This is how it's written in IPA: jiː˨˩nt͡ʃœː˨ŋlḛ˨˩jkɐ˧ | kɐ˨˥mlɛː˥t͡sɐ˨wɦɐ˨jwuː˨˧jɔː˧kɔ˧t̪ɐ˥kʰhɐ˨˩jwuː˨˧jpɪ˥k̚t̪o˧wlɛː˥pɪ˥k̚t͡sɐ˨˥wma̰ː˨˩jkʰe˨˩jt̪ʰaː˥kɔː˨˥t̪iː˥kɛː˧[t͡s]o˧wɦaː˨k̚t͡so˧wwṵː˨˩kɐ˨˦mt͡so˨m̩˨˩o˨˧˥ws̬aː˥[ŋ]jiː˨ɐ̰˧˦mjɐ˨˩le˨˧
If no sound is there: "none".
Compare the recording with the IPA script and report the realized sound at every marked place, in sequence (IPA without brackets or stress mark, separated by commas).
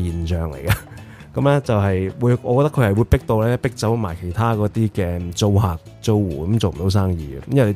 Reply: t͡s, ŋ